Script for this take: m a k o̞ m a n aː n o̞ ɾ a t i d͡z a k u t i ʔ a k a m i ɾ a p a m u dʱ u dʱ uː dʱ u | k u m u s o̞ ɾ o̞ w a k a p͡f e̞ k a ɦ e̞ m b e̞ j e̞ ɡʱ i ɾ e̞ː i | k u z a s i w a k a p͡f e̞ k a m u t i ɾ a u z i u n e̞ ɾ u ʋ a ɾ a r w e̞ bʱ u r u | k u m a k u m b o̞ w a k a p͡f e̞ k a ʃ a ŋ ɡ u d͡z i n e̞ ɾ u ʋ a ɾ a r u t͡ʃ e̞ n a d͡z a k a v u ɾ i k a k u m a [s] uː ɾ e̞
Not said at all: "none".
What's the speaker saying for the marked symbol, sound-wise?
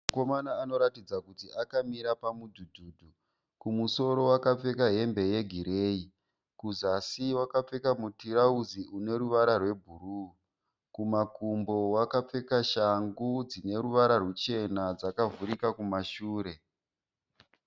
ʃ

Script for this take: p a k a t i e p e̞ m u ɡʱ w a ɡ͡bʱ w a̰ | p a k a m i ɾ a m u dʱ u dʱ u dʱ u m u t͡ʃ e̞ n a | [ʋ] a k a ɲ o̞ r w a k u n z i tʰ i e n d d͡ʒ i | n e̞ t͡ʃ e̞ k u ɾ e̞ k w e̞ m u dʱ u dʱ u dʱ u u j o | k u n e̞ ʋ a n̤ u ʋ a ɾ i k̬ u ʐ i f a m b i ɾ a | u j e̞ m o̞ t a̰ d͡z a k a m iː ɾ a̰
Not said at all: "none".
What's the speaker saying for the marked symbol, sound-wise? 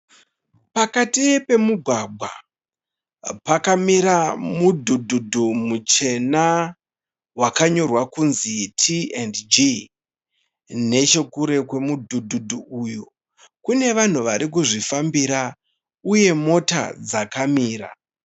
w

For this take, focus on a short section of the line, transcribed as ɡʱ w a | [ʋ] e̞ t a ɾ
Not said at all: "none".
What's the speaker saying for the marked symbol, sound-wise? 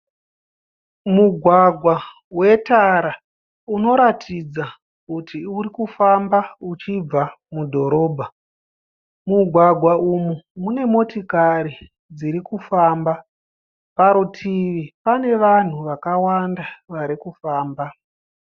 w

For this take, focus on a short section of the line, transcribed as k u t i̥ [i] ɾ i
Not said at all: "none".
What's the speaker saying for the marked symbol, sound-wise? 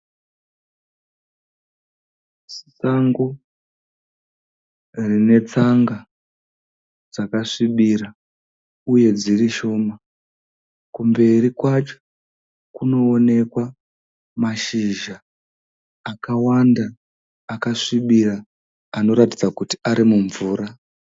a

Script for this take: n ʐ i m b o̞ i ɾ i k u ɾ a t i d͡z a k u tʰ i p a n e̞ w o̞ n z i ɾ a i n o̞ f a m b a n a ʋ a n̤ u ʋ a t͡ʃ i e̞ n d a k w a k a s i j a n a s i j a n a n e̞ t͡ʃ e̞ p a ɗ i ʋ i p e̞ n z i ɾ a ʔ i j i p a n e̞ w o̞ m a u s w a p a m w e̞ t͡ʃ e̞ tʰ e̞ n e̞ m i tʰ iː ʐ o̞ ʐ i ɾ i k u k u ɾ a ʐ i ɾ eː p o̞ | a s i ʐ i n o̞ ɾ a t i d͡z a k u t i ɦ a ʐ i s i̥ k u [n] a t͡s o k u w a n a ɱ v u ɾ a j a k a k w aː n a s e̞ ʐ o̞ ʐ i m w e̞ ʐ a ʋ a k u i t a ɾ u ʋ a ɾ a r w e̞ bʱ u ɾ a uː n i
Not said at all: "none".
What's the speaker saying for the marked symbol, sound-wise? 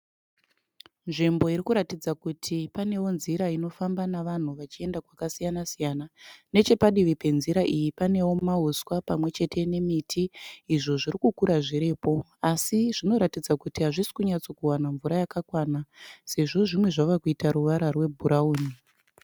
ɲ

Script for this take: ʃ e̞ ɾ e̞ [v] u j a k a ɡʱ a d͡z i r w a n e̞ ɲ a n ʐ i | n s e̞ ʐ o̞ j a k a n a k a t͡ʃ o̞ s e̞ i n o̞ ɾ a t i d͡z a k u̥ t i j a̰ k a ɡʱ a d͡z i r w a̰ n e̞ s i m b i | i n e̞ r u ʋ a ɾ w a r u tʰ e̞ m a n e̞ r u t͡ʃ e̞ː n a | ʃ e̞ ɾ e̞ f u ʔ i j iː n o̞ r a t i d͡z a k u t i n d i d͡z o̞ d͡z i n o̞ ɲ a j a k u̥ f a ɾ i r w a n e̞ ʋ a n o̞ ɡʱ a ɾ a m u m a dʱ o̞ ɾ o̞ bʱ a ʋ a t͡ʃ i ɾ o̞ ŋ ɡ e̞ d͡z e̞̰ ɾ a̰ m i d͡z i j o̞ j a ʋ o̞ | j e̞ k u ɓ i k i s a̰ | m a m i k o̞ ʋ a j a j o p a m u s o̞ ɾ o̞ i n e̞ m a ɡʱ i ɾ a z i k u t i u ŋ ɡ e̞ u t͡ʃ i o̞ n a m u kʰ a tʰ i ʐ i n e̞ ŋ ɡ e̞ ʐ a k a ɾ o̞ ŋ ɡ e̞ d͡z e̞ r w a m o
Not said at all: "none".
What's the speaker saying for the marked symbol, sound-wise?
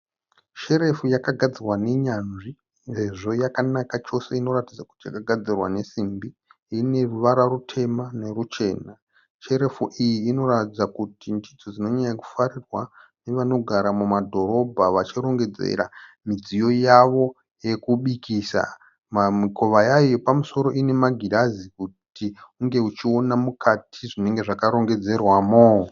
f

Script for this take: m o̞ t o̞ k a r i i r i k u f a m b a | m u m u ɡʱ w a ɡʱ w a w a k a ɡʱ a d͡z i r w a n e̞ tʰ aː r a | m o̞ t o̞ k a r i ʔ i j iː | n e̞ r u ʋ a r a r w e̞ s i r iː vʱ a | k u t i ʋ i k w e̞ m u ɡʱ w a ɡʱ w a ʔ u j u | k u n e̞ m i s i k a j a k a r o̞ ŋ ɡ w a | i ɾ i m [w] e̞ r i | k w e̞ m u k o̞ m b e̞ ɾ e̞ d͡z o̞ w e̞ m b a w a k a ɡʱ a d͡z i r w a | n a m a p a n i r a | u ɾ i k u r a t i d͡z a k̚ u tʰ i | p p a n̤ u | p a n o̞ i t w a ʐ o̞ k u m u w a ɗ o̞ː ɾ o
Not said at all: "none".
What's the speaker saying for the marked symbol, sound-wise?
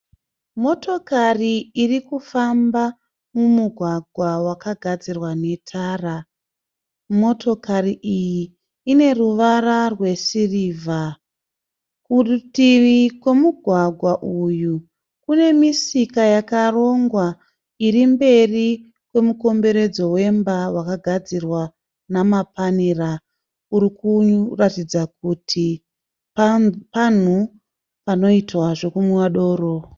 b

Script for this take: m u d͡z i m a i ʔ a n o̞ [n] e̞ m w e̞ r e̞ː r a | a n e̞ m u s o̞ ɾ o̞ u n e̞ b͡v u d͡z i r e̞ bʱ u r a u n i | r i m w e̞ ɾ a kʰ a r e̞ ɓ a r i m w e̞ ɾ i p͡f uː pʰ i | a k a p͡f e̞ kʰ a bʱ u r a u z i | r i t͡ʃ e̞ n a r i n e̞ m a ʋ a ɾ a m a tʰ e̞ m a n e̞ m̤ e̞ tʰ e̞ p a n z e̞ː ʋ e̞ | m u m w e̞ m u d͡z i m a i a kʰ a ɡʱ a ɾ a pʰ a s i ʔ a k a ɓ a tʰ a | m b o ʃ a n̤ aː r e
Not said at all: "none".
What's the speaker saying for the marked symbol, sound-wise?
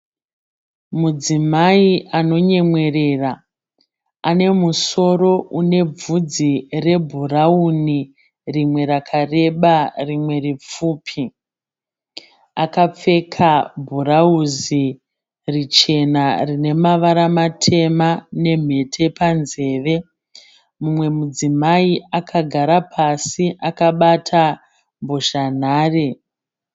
ɲ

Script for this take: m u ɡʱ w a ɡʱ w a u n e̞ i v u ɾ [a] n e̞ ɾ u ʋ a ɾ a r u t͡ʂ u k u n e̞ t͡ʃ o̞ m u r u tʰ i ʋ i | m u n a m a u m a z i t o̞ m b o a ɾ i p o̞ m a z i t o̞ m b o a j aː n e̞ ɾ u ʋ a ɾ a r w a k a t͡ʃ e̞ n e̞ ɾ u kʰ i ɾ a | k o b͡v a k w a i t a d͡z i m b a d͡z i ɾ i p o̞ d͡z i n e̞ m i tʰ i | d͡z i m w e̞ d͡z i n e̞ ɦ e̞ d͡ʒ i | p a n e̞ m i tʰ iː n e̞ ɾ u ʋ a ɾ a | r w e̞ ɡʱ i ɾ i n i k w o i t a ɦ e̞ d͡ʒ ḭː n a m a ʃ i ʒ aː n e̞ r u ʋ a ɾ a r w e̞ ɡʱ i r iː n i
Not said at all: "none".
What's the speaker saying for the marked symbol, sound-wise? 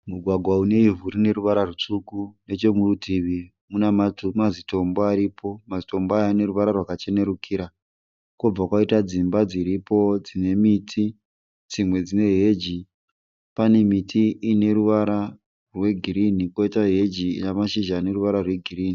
i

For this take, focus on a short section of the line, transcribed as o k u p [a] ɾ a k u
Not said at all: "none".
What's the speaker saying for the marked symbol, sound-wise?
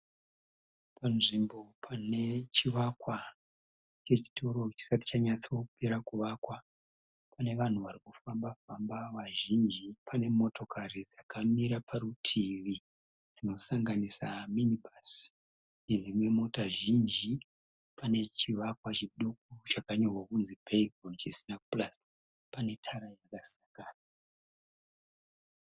e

